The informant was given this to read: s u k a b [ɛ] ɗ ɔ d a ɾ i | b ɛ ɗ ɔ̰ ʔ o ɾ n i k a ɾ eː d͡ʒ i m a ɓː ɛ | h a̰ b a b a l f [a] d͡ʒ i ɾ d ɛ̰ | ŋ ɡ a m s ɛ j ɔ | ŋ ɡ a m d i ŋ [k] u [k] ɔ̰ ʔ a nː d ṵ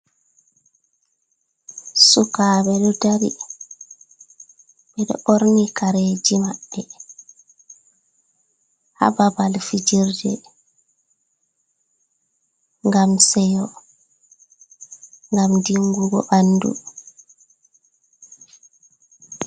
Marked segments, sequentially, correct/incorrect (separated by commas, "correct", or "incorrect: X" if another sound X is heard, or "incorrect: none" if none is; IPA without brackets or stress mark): correct, incorrect: i, incorrect: ɡ, incorrect: ɡ